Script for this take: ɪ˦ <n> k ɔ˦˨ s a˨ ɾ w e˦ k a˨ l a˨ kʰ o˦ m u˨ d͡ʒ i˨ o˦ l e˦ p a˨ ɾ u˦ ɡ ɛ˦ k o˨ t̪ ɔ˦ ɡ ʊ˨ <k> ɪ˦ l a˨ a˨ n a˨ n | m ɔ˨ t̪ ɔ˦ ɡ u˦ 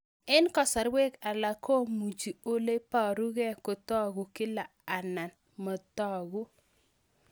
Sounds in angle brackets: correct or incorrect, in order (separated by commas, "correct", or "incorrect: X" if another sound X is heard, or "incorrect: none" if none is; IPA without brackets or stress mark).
correct, correct